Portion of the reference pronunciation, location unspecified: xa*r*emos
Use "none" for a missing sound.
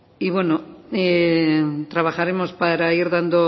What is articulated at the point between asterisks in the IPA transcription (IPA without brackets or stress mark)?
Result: ɾ